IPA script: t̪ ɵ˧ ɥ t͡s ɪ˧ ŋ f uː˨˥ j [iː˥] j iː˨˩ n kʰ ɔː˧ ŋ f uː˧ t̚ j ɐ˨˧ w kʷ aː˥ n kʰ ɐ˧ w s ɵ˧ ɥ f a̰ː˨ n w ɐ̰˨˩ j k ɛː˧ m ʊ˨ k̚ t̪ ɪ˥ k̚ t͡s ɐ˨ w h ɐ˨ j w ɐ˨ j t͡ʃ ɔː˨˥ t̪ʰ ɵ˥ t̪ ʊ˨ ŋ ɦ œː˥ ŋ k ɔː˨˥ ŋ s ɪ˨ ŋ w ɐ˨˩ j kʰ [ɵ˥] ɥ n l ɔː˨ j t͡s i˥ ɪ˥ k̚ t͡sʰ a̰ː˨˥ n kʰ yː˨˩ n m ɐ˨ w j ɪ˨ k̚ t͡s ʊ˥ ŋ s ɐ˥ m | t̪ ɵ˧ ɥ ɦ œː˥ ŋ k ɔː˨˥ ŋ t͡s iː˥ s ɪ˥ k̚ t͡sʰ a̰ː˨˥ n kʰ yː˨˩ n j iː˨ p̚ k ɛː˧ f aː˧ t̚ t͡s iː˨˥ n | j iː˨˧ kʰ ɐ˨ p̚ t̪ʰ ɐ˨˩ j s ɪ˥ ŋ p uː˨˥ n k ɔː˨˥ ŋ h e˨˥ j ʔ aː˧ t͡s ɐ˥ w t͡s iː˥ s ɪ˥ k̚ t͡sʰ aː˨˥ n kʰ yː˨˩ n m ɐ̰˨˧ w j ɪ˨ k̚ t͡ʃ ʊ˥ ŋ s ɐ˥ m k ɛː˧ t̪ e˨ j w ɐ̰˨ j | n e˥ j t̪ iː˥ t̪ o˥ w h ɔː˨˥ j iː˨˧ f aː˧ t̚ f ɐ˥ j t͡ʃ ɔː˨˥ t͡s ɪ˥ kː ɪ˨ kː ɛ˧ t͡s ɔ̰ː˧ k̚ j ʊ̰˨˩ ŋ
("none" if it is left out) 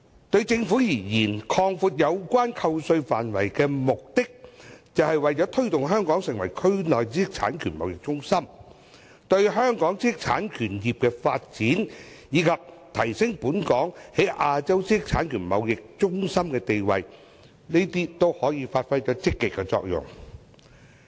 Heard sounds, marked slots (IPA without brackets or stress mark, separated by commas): iː˨˩, ɵ˥